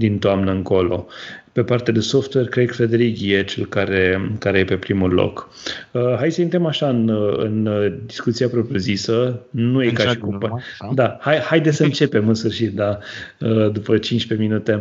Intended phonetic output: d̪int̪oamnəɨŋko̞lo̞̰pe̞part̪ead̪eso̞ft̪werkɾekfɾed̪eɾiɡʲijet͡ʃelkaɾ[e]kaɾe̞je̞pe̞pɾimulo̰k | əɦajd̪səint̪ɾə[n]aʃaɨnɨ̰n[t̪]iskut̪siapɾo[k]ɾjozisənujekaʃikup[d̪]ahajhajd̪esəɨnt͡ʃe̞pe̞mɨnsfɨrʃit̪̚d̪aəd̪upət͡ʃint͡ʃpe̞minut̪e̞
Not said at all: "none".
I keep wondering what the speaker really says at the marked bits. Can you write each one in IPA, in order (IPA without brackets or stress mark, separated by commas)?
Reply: e, m, d̪, p, d̪